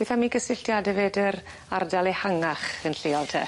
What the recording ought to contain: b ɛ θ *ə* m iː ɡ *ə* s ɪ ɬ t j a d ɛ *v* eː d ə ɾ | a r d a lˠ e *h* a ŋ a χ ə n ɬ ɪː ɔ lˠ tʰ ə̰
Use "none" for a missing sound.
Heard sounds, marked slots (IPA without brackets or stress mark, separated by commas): a, ə, v, h